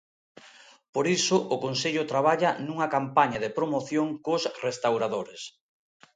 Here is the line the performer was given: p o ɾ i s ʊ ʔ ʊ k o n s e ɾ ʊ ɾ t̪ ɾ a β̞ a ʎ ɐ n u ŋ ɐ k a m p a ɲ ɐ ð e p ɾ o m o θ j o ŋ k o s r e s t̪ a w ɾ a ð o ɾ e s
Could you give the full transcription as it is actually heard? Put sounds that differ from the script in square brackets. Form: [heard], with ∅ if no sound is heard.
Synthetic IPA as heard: p o ɾ i s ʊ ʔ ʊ k o n s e [ʎ] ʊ [∅] t̪ ɾ a β̞ a ʎ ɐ n u ŋ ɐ k a m p a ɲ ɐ ð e p ɾ o m o θ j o ŋ k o s r e s t̪ a w ɾ a ð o ɾ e s